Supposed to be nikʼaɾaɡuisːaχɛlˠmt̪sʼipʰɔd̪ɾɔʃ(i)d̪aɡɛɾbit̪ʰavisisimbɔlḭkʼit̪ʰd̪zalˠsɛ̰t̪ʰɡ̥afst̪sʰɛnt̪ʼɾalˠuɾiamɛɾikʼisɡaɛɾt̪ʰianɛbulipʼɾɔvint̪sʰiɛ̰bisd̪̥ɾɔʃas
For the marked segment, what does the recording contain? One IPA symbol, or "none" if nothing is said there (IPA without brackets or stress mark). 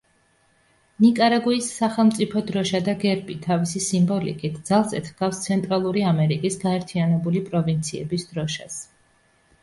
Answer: a